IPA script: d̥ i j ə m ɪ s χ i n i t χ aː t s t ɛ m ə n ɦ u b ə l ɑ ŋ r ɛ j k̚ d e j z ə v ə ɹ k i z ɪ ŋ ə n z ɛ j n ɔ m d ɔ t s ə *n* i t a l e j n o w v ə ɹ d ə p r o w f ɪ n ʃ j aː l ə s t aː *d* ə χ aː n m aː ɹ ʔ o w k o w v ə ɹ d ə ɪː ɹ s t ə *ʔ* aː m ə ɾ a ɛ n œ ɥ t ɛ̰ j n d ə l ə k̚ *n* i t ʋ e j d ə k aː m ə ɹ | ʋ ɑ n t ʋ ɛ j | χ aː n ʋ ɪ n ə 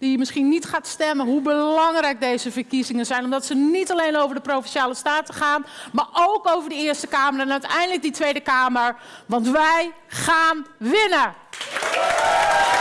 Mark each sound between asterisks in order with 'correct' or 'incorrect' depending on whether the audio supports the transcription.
correct, incorrect: t, incorrect: k, incorrect: d

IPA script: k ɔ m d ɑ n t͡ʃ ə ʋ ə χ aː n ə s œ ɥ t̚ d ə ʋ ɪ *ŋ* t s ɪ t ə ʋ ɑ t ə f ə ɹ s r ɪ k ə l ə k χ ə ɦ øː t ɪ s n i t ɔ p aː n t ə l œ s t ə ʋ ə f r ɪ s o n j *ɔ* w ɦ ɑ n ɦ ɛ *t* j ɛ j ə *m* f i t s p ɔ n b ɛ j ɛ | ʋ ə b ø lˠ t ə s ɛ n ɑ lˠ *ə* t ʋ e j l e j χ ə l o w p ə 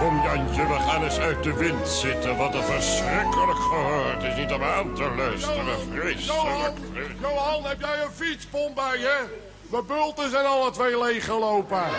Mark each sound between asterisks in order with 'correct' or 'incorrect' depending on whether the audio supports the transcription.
incorrect: n, incorrect: o, incorrect: p, incorrect: n, correct

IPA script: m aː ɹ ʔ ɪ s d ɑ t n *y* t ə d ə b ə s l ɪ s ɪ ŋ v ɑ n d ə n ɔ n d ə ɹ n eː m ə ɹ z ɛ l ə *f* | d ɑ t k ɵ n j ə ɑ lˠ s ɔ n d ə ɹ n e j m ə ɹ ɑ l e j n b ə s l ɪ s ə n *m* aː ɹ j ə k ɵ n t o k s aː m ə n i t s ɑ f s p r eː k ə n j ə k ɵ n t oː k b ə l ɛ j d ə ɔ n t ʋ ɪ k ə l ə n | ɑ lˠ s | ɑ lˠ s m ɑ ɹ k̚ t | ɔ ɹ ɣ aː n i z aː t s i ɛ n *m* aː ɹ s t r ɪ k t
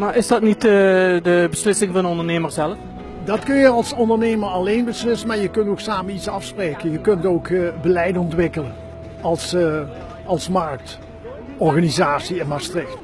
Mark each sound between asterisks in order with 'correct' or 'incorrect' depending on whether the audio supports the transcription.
incorrect: i, correct, correct, correct

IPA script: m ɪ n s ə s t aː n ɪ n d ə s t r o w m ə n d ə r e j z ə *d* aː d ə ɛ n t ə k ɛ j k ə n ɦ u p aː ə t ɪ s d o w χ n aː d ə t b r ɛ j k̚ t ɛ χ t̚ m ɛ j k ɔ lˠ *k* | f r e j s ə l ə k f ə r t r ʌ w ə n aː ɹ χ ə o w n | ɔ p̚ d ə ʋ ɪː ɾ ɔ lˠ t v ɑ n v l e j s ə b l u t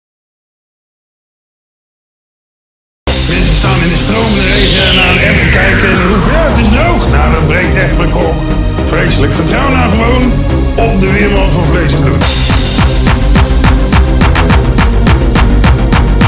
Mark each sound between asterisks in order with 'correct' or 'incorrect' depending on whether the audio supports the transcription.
incorrect: n, correct

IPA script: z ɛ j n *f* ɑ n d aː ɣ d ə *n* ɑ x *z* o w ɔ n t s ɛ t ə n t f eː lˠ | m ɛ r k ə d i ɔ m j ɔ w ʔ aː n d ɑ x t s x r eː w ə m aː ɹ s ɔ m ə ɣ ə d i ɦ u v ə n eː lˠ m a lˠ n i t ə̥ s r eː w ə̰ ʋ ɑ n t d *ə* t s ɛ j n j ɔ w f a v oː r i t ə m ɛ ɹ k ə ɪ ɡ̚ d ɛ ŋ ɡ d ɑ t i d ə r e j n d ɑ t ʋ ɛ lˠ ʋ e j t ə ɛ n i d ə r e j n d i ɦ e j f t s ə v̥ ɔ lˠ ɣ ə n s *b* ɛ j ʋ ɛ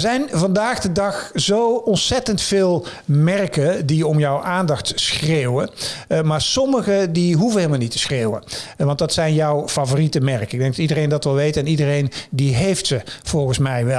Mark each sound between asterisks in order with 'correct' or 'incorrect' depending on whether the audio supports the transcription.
incorrect: v, incorrect: d, correct, incorrect: ɑ, incorrect: m

